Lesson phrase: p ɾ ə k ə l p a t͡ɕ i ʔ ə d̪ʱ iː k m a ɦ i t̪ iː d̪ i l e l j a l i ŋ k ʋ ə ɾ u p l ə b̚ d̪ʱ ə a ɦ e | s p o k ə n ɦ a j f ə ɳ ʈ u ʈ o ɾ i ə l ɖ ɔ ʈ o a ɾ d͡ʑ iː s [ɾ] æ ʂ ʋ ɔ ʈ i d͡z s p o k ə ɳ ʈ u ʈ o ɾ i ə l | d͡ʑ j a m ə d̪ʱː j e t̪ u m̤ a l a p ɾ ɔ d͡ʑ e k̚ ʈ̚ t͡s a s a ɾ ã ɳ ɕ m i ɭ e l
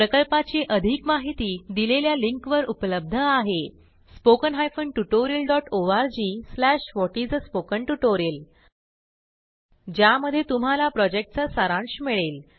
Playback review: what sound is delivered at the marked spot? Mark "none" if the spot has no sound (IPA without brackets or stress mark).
l